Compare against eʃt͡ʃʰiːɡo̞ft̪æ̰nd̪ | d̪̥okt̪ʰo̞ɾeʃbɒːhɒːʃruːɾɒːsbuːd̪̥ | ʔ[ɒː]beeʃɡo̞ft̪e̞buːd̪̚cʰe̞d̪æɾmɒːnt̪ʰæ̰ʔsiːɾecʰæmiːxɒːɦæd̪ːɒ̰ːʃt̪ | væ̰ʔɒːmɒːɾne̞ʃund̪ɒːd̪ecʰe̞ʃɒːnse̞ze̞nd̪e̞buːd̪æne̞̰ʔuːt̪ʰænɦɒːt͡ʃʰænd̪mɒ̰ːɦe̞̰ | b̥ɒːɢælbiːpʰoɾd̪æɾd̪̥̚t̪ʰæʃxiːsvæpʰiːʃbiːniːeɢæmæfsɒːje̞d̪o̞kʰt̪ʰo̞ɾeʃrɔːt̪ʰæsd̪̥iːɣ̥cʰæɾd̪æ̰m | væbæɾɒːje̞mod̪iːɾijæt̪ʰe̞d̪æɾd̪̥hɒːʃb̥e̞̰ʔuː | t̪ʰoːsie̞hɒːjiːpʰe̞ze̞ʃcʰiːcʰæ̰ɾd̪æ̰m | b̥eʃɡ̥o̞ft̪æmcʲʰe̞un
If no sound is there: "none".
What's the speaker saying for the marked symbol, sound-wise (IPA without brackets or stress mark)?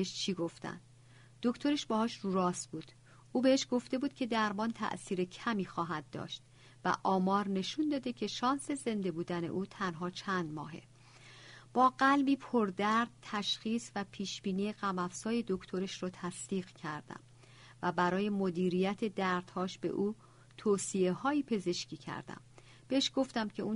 uː